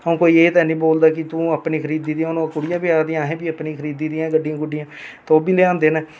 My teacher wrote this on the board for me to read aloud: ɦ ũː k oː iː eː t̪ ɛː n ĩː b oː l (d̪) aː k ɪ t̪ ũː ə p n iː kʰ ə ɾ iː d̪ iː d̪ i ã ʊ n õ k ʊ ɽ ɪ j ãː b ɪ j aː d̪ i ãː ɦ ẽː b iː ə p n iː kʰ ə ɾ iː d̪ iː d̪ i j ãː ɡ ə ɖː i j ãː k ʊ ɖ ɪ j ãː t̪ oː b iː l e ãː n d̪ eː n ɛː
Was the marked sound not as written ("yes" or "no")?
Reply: no